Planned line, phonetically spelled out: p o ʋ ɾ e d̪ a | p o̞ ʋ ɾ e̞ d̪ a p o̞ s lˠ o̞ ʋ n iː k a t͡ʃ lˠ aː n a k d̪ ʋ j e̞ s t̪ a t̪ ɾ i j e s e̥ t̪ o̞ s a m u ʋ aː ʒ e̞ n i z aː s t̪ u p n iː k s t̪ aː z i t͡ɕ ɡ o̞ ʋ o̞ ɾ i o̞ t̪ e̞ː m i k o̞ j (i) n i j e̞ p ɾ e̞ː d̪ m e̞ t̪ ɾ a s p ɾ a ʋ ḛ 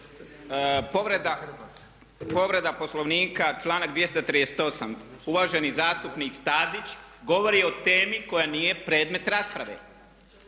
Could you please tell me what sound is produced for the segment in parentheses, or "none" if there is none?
a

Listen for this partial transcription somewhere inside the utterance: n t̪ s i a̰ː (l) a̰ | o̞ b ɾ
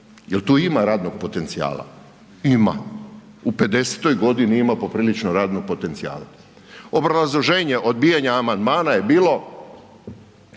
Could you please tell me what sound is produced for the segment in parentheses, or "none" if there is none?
l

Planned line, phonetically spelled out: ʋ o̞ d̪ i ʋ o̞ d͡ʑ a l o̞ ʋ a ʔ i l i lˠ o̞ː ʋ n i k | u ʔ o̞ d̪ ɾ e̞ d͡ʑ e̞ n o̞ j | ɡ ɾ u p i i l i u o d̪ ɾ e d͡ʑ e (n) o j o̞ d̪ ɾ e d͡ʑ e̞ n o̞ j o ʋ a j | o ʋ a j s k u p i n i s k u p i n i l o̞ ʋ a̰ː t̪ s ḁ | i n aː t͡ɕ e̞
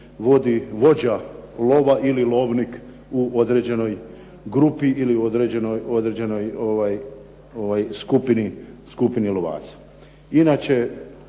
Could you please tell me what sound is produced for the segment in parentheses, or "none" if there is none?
n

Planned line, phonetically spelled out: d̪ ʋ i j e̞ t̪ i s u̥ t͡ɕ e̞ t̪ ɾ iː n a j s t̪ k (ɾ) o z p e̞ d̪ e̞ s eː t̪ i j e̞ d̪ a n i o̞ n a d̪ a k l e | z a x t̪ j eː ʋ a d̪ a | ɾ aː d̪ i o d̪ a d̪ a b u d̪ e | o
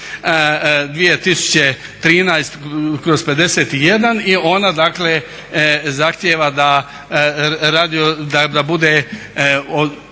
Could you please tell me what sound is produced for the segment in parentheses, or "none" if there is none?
ɾ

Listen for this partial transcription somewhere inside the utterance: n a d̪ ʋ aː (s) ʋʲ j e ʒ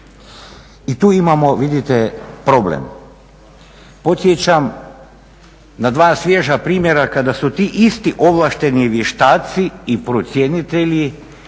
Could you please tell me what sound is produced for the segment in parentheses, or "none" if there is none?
s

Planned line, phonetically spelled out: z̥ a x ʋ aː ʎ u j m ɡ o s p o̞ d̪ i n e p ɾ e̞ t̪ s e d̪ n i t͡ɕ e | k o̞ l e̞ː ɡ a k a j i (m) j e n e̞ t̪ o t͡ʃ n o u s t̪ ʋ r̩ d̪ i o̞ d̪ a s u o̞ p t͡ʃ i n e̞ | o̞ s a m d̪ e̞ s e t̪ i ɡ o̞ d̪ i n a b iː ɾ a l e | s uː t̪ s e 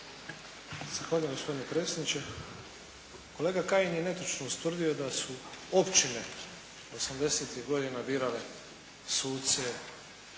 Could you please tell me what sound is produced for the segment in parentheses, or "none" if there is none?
n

